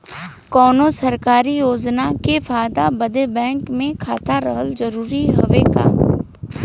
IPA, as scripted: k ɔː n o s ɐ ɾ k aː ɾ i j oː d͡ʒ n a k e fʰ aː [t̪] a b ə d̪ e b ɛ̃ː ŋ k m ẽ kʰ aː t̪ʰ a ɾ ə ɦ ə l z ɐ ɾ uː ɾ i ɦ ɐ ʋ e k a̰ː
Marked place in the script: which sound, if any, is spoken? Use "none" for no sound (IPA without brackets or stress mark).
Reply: d̪